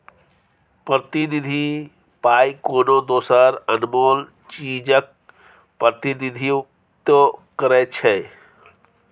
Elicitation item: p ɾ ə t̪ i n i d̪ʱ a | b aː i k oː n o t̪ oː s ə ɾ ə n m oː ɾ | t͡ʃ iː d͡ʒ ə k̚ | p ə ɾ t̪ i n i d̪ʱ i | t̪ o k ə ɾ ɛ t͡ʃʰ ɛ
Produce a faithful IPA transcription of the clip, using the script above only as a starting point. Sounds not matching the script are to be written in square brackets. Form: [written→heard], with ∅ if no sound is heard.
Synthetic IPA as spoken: p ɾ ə t̪ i n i d̪ʱ [a→i] | [b→p] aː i k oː n o [t̪→d̪] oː s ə ɾ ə n m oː [ɾ→l] | t͡ʃ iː d͡ʒ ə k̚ | p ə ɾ t̪ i n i d̪ʱ i | t̪ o k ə ɾ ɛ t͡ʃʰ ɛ

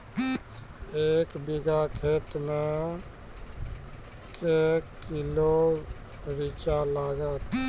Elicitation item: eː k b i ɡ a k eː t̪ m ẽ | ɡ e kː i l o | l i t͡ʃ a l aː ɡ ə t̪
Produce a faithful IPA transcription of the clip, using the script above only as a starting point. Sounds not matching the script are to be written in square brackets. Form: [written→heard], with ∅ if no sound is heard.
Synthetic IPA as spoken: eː k b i ɡ a [k→kʰ] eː t̪ m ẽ | [ɡ→k] e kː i l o | [l→ɾ] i t͡ʃ a l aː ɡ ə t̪

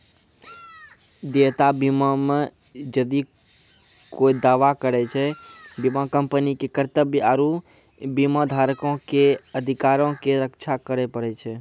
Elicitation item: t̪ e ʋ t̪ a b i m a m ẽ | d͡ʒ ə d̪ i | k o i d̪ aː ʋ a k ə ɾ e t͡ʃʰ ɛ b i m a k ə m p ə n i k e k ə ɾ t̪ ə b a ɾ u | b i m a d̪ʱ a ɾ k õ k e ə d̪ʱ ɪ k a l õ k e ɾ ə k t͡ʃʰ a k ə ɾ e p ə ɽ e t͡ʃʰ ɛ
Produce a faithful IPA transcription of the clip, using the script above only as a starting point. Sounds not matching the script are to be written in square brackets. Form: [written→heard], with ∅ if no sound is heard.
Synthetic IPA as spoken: [t̪→d̪] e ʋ t̪ a b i m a m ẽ | d͡ʒ ə d̪ i | k o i d̪ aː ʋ a k ə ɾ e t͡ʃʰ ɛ b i m a k ə m p ə n i k e k ə ɾ t̪ ə b a ɾ u | b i m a d̪ʱ a ɾ k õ k e ə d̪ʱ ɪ k a [l→ɾ] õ k e ɾ ə k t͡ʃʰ a k ə ɾ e p ə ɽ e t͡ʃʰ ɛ

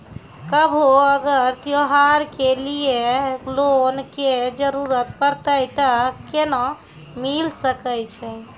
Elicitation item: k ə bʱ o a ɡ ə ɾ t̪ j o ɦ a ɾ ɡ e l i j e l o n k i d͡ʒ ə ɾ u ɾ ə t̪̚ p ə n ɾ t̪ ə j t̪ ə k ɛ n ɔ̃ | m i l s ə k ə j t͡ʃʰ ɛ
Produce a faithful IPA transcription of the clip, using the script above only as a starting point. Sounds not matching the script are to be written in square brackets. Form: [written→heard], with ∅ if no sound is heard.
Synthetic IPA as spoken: k ə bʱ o [a→ə] ɡ ə ɾ t̪ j o ɦ a ɾ [ɡ→k] e l i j e l o n k [i→e] d͡ʒ ə ɾ u ɾ ə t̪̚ p ə [n→∅] ɾ t̪ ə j t̪ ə k [ɛ→e] n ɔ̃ | m i l s ə k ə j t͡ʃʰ ɛ

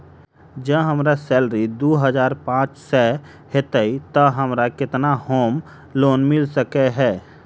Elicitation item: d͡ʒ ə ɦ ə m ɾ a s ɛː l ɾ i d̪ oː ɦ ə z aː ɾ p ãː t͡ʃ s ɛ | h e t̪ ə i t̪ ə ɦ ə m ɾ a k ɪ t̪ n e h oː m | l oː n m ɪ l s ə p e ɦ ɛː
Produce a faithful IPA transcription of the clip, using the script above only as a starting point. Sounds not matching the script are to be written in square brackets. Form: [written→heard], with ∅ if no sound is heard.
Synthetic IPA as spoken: d͡ʒ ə ɦ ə m ɾ a s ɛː l ɾ i d̪ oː ɦ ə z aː ɾ p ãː t͡ʃ s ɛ | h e t̪ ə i t̪ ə ɦ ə m ɾ a k ɪ t̪ n [e→a] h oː m | l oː n m ɪ l s ə [p→k] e ɦ ɛː

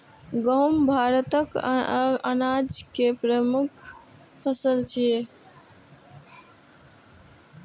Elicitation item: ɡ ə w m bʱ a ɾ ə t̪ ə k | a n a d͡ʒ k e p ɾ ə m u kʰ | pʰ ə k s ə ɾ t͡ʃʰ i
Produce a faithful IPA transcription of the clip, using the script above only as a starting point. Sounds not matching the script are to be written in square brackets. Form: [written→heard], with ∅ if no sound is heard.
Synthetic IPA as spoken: ɡ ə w m bʱ a ɾ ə t̪ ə k | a n a d͡ʒ k e p ɾ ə m u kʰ | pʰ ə [k→∅] s ə [ɾ→l] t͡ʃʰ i

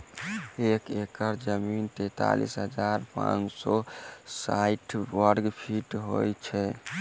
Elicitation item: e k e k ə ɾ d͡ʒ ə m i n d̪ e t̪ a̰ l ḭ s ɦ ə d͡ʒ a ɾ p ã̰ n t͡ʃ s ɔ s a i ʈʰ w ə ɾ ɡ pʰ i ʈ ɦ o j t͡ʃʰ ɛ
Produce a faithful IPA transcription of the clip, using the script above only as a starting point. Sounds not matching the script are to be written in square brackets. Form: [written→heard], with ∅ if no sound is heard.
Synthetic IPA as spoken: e k e k ə ɾ d͡ʒ ə m i n [d̪→t̪] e t̪ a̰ l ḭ s ɦ ə d͡ʒ a ɾ p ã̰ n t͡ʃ s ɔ s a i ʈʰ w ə ɾ ɡ pʰ i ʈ ɦ o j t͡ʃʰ ɛ

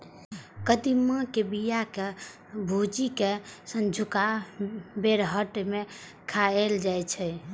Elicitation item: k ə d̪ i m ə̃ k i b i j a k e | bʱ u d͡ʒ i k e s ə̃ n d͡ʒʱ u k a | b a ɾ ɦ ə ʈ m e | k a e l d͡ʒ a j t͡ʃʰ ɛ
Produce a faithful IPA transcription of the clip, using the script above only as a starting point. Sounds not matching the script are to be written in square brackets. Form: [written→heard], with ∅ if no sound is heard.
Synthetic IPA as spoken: k ə d̪ i m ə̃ k [i→e] b i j a k e | bʱ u d͡ʒ i k e s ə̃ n d͡ʒʱ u k a | b [a→e] ɾ ɦ ə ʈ m e | [k→kʰ] a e l d͡ʒ a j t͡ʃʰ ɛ

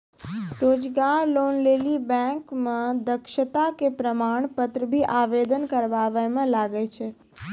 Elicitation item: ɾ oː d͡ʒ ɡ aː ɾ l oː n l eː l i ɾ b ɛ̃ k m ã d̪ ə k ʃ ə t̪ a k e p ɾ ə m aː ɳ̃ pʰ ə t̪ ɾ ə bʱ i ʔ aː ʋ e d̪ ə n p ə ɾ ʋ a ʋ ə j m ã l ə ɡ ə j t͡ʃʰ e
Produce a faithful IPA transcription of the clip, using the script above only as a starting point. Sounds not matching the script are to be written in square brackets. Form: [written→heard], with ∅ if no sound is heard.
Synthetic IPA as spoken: ɾ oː d͡ʒ ɡ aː ɾ l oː n l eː l i [ɾ→∅] b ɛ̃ k m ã d̪ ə k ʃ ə t̪ a k e p ɾ ə m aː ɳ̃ [pʰ→p] ə t̪ ɾ ə bʱ i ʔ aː ʋ e d̪ ə n [p→k] ə ɾ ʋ a ʋ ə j m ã l [ə→a] ɡ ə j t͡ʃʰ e

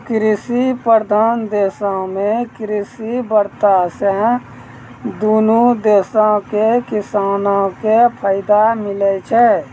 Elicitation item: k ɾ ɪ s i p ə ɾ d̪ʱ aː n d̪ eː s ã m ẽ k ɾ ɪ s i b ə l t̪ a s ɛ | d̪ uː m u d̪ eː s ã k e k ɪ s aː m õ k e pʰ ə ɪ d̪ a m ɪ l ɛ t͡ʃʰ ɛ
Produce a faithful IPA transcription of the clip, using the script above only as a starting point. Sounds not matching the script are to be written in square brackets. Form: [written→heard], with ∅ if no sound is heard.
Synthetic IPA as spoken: k ɾ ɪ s i p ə ɾ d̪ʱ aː n d̪ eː s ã m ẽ k ɾ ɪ s i b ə [l→ɾ] t̪ a s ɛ | d̪ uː [m→n] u d̪ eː s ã k e k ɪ s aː [m→n] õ k e pʰ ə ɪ d̪ a m ɪ l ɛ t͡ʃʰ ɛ

